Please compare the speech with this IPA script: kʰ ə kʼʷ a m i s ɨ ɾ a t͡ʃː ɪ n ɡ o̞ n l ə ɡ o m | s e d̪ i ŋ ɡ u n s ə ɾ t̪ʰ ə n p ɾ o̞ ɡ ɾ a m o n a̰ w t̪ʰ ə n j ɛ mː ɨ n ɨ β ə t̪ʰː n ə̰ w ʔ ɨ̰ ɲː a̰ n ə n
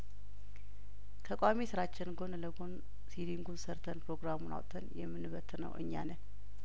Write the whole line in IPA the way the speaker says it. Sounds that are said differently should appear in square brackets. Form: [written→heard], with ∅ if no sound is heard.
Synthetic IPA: kʰ ə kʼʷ a m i s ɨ ɾ a t͡ʃː ɪ n ɡ o̞ n l ə ɡ o [m→n] | s [e→i] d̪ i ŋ ɡ u n s ə ɾ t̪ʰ ə n p ɾ o̞ ɡ ɾ a m [o→u] n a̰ w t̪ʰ ə n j ɛ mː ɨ n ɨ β ə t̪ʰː n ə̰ w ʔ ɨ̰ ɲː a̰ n ə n